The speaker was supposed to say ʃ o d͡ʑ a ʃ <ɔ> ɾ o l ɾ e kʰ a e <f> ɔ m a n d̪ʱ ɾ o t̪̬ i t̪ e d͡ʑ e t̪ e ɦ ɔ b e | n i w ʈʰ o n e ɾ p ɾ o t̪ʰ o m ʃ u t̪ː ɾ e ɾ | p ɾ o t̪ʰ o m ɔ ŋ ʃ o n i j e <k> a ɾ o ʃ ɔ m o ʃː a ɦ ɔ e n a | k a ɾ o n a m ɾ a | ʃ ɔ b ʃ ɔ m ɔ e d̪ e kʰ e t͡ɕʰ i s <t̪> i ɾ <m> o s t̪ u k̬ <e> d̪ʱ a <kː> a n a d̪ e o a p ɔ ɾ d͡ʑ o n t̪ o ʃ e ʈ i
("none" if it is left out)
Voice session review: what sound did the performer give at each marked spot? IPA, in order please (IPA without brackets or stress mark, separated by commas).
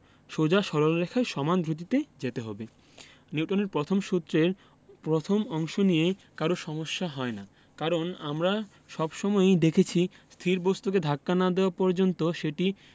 ɔ, ʃ, k, t̪ʰ, b, e, kː